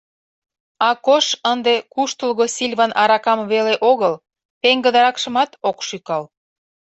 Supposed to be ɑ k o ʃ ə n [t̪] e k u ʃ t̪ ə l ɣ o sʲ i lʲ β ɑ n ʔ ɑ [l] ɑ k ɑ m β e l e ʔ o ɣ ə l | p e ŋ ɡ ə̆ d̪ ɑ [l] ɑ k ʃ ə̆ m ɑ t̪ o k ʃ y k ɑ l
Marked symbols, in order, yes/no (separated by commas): no, no, no